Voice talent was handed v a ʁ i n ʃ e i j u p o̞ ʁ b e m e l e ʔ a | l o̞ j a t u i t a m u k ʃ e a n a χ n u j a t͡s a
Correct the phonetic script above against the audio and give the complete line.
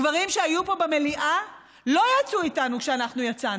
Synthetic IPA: v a ʁ i m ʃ e a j u p o̞ b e m e l i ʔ a | l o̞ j a t͡s u i t a n u k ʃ e a n a χ n u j a t͡s a